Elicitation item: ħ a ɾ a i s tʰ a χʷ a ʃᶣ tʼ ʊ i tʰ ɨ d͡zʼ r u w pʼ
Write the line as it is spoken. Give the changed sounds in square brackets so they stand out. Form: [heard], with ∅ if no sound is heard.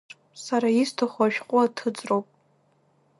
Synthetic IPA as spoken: [s] a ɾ a i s tʰ a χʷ a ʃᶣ [qʼ] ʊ [a] tʰ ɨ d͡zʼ r [o] w pʼ